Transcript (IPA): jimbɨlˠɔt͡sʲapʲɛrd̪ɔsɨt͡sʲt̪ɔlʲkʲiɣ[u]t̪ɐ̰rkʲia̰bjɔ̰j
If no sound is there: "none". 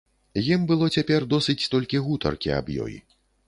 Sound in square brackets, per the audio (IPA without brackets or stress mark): u